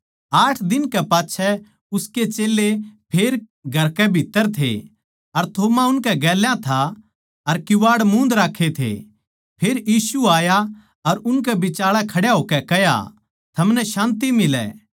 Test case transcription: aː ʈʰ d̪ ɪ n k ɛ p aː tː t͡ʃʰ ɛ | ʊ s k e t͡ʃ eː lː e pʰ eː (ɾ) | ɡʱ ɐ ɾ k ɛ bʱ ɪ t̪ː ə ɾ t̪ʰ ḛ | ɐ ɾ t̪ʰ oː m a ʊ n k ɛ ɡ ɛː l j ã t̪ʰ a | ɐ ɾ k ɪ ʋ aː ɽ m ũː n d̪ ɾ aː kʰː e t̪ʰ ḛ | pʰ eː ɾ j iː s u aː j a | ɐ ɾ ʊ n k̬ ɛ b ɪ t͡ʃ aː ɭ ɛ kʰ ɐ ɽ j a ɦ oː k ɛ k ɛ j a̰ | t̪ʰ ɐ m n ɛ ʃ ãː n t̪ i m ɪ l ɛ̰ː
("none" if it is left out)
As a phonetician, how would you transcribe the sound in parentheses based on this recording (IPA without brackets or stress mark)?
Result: ɾ